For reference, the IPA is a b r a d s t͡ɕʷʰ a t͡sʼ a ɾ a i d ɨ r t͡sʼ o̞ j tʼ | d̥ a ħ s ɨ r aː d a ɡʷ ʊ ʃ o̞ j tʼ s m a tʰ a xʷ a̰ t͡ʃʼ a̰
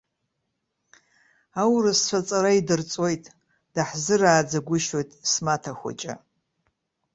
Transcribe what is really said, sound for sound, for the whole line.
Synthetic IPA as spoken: a w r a s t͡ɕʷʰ a t͡sʼ a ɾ a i d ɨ r t͡sʼ o̞ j tʼ | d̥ a ħ z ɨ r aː d͡z a ɡʷ ʊ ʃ o̞ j tʼ s m a tʰ a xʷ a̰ t͡ʃʼ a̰